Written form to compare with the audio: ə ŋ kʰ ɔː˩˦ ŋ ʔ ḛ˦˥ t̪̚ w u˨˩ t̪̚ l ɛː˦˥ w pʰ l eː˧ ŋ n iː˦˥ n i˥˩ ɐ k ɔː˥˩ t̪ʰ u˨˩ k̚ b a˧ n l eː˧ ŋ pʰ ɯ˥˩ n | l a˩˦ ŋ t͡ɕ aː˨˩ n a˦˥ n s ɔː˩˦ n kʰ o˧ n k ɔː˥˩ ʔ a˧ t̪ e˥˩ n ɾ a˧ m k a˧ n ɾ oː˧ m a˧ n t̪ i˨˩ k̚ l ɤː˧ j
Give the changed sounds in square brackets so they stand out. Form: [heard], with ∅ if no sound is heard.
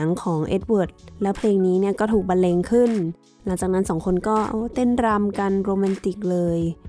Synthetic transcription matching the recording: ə ŋ kʰ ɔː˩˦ ŋ ʔ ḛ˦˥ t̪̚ w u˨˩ t̪̚ l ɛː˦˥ w pʰ l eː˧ ŋ n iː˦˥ n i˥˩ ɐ k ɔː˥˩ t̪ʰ [uː˨˩] k̚ b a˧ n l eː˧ ŋ [kʰ] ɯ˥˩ n | l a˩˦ ŋ t͡ɕ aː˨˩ n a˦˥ n s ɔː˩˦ [ŋ] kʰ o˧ n k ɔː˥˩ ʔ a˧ t̪ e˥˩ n ɾ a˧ m k a˧ n ɾ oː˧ m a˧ n t̪ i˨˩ k̚ l ɤː˧ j